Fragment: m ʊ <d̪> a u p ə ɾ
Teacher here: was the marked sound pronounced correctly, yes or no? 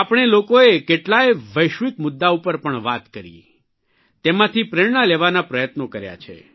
no